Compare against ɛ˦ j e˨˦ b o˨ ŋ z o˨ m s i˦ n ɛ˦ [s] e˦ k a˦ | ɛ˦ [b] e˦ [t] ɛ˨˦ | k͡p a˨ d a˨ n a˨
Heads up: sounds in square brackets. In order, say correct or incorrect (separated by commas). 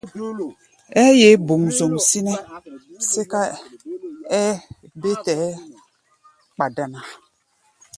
correct, correct, correct